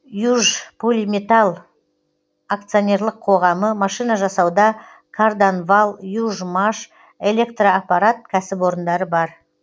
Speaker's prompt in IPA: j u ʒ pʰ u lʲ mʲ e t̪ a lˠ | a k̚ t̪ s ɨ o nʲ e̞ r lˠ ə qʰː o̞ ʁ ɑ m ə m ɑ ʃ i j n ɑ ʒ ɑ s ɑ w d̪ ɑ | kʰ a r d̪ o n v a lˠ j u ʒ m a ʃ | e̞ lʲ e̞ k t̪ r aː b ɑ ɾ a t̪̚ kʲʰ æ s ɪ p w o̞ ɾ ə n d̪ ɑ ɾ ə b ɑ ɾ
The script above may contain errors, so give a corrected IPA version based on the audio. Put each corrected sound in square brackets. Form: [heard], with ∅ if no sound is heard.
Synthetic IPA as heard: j u ʒ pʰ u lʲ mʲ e t̪ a lˠ | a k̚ t̪ s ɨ o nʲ e̞ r lˠ ə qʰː o̞ ʁ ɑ m ə m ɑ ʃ i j n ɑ ʒ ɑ s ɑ w d̪ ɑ | kʰ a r d̪ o n v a lˠ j u ʒ m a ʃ | e̞ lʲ e̞ k t̪ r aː [p] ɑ ɾ a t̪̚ kʲʰ æ s ɪ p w o̞ ɾ ə n d̪ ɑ ɾ ə b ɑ ɾ